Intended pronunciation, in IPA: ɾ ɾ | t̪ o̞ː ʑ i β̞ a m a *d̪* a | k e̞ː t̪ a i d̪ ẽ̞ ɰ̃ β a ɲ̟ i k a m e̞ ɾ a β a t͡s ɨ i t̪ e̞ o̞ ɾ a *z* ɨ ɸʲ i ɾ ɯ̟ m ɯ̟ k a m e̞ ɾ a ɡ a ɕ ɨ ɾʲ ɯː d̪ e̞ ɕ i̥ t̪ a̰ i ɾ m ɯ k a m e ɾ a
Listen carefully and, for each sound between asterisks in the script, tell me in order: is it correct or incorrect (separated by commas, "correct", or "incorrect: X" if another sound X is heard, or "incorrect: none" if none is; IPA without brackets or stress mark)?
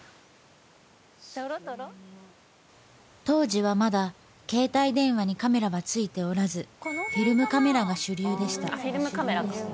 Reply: correct, correct